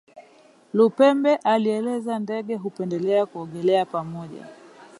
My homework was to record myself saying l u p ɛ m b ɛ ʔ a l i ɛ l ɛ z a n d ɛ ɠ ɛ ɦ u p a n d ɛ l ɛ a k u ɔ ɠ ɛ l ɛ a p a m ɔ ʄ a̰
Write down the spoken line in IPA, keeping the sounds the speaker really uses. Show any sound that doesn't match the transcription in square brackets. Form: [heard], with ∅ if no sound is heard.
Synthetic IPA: l u p ɛ m b ɛ ʔ a l i ɛ l ɛ z a n d ɛ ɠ ɛ ɦ u p [ɛ] n d ɛ l ɛ a k u ɔ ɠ ɛ l ɛ a p a m ɔ ʄ a̰